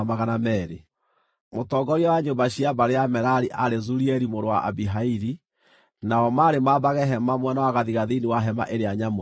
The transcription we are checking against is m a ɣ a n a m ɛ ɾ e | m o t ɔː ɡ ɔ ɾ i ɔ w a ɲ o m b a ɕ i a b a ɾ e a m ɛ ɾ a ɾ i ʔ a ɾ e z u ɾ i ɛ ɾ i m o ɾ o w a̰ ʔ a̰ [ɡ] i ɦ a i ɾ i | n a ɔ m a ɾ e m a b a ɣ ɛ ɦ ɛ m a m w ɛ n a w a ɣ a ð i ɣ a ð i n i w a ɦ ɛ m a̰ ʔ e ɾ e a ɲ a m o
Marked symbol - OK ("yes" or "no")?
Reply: no